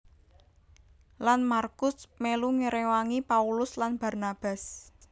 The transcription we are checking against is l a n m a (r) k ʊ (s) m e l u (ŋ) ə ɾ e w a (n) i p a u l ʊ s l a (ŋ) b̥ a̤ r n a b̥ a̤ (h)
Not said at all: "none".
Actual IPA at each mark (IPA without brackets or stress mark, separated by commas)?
r, s, ŋ, ŋ, n, s